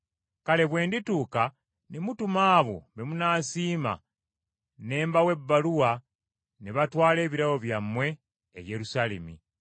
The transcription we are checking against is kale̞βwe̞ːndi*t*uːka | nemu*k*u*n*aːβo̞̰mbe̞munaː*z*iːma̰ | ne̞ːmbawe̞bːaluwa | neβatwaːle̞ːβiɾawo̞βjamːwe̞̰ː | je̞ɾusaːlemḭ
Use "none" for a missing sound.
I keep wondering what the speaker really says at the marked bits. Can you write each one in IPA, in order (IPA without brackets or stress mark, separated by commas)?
t, t, m, s